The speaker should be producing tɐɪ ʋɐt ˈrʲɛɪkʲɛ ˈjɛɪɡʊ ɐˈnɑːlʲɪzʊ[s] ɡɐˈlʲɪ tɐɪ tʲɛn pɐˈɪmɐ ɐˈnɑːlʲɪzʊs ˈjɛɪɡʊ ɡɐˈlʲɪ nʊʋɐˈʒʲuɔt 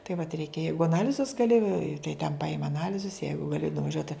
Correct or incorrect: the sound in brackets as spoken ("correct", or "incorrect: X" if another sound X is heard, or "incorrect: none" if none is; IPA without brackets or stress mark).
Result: correct